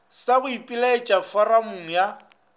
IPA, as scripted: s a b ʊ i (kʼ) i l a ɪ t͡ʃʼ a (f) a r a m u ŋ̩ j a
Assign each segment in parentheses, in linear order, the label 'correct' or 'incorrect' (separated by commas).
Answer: incorrect, correct